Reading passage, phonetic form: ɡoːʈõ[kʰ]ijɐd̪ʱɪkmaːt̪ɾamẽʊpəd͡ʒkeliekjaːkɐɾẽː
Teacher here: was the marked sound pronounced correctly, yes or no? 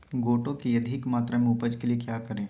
no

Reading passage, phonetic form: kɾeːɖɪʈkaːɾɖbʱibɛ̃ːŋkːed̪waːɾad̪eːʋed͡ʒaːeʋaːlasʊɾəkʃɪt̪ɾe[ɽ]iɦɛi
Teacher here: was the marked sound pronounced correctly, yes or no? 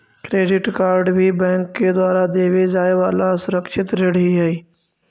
yes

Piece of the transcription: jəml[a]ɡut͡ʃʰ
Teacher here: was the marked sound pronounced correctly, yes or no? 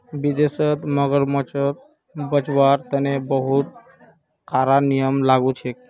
yes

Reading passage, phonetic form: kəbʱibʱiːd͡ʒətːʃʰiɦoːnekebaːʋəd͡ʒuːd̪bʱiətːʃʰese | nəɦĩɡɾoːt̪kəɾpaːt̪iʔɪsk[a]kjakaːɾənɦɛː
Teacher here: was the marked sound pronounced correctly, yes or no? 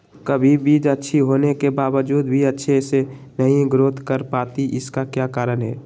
yes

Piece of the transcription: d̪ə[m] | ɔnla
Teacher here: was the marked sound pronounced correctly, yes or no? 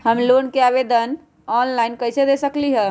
no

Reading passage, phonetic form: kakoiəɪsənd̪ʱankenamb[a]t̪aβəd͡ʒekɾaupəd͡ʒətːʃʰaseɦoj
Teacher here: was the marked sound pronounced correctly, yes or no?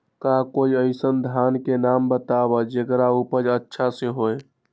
no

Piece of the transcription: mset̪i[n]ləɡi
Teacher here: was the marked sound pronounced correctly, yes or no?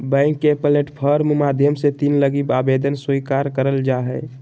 yes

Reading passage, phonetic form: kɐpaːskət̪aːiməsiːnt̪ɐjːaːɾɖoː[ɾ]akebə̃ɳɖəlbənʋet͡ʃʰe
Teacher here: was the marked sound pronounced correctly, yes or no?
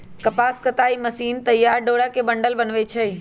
no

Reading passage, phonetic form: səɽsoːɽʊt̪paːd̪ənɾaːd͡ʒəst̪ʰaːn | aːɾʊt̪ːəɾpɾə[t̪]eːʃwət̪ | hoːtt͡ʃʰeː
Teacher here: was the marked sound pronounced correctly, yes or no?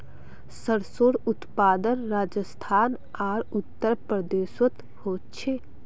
no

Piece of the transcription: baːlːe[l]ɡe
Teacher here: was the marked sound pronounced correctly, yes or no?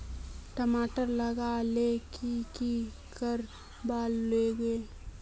no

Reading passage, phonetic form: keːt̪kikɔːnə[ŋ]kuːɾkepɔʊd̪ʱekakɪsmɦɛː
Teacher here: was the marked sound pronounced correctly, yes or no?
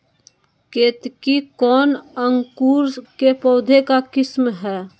yes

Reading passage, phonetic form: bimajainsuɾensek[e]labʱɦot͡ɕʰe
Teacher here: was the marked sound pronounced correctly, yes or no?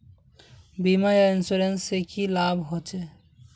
no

